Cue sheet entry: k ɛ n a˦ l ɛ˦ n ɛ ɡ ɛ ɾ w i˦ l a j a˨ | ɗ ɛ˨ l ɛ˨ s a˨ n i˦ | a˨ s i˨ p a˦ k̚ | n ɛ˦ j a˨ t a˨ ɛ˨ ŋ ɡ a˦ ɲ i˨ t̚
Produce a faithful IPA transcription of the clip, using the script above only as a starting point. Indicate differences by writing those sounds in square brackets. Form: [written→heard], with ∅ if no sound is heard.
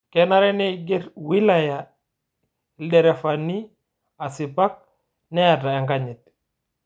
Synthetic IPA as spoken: k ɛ n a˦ [l→ɾ] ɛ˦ n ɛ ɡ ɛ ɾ w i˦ l a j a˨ | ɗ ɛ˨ [l→ɾ] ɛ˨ [s→f] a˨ n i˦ | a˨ s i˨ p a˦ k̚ | n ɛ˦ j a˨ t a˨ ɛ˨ ŋ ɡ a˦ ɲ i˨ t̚